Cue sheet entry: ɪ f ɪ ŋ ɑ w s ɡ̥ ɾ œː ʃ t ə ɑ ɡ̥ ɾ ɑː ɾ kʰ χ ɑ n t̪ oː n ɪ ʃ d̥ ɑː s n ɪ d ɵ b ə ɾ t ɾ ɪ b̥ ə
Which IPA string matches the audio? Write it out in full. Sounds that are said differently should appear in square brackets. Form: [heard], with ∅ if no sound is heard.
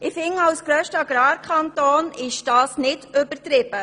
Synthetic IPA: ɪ f ɪ ŋ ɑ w s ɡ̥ ɾ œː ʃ t ə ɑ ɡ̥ ɾ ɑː ɾ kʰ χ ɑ n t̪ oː n ɪ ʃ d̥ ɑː s n ɪ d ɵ b ə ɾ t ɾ ɪ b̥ ə